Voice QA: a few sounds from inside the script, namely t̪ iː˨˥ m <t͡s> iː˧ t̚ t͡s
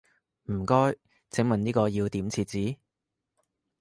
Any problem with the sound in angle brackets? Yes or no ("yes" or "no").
yes